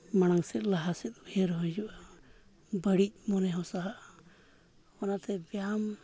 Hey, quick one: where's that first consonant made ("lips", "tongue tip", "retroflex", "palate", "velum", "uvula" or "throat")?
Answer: lips